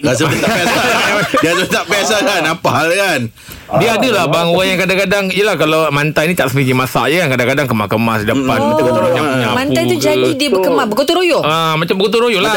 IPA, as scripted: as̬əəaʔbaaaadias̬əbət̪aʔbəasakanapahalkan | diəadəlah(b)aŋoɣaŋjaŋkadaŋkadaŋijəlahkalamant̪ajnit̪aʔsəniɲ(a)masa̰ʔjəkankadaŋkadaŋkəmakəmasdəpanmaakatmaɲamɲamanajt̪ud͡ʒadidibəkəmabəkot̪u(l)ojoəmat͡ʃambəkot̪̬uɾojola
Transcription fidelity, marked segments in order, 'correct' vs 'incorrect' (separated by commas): correct, incorrect, incorrect